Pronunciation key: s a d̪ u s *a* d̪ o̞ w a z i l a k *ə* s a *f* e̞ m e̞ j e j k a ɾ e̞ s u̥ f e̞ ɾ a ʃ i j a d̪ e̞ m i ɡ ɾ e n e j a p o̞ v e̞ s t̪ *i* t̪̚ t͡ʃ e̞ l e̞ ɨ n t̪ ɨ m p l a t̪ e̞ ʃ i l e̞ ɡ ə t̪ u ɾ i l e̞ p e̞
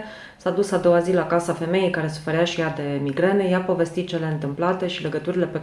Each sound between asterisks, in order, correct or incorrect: correct, incorrect: a, correct, correct

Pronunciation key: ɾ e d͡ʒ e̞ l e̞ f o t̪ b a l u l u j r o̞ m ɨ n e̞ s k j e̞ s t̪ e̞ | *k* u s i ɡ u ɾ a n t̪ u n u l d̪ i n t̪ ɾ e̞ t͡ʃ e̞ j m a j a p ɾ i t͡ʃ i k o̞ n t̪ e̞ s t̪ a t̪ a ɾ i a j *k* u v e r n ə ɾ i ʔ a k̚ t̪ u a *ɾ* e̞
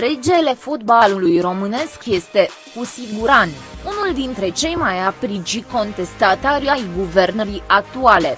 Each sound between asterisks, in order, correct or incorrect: correct, incorrect: ɡ, incorrect: l

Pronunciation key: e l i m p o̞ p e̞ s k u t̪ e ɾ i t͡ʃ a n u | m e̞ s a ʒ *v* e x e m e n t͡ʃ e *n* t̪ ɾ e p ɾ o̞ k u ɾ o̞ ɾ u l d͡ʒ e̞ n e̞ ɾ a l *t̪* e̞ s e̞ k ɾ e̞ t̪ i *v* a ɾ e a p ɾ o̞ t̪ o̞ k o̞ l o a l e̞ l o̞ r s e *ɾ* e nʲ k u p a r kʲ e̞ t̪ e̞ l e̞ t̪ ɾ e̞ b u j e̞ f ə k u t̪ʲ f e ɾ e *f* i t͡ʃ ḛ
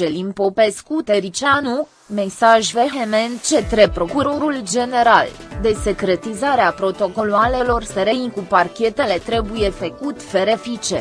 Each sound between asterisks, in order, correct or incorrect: correct, incorrect: none, incorrect: d̪, incorrect: z, correct, correct

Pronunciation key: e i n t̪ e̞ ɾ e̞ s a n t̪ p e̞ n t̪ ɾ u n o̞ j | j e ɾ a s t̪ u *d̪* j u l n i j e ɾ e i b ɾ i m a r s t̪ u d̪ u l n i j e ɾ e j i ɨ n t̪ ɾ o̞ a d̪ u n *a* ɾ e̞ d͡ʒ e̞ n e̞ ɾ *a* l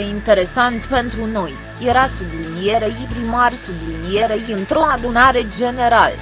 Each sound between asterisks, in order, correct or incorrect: correct, correct, correct

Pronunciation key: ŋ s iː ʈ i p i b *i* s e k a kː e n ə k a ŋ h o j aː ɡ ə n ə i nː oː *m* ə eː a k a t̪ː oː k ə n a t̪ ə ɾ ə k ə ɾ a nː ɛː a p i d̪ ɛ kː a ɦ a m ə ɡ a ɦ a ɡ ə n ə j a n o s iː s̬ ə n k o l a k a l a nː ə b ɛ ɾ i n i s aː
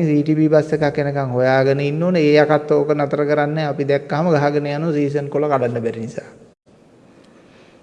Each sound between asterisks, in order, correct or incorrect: incorrect: a, incorrect: n

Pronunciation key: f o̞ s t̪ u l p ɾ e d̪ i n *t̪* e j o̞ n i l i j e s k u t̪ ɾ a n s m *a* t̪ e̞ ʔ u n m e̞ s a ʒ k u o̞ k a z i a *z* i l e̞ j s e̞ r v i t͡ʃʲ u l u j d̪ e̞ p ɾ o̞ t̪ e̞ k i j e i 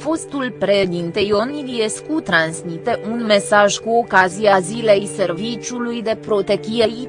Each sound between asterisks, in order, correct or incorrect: correct, incorrect: i, correct

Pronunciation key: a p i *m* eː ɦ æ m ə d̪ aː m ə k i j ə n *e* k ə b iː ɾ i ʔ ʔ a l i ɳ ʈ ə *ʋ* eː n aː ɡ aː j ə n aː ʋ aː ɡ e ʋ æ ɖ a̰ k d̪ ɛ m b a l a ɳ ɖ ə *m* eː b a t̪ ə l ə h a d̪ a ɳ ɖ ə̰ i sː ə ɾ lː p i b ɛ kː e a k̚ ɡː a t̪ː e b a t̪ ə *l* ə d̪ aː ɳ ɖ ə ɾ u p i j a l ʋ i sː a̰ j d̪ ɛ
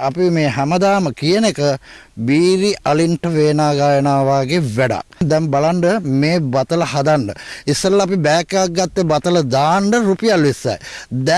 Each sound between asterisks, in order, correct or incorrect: correct, correct, correct, correct, correct

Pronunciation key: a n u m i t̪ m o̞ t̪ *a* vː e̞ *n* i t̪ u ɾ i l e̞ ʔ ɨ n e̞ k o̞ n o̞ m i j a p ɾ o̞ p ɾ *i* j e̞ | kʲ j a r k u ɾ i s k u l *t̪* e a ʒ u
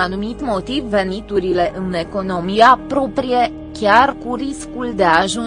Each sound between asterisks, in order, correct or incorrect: incorrect: i, correct, correct, incorrect: d̪

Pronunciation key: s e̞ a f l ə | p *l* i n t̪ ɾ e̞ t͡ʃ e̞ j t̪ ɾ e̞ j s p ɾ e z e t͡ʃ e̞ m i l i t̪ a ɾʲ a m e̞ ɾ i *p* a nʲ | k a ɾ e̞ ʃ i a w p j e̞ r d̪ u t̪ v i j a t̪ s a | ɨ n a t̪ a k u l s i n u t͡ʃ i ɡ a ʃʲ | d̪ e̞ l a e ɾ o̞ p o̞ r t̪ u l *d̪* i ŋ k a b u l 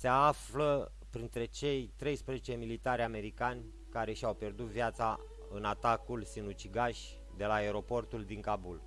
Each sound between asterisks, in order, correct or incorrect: incorrect: ɾ, incorrect: k, correct

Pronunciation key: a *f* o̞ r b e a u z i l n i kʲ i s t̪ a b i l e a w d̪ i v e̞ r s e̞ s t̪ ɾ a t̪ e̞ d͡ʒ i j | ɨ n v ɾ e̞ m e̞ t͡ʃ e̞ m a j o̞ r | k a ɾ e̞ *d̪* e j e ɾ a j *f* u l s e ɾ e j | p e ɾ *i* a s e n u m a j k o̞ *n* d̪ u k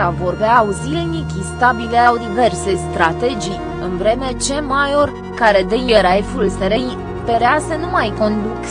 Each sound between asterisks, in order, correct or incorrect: incorrect: v, correct, correct, incorrect: e, correct

